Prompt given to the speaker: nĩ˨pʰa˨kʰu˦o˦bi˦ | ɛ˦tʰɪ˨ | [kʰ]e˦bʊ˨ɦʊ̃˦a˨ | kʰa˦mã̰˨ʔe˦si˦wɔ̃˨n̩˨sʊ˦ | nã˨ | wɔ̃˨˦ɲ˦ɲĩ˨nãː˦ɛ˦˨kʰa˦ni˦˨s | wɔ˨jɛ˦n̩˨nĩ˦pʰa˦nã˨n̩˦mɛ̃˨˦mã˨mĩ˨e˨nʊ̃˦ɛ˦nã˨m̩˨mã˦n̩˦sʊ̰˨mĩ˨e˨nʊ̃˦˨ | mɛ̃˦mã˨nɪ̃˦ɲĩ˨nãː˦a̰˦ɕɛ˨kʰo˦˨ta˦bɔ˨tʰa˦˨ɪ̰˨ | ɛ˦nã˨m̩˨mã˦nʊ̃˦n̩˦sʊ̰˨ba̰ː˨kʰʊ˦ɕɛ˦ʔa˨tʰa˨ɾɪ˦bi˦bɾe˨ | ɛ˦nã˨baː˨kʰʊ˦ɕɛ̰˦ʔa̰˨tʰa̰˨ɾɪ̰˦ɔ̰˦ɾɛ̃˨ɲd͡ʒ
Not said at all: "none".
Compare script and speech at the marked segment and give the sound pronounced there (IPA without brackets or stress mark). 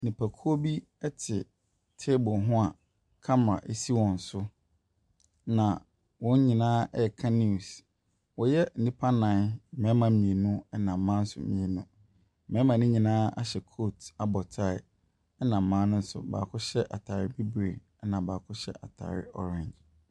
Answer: tʰ